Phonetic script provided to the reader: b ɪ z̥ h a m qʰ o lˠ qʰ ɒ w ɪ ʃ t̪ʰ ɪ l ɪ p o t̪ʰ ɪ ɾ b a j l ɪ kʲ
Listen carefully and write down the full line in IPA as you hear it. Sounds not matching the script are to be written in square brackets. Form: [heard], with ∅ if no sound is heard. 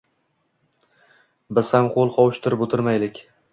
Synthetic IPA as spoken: b ɪ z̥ h a m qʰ o lˠ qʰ ɒ w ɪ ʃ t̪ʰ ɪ [ɾ] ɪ p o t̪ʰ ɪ ɾ [m] a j l ɪ kʲ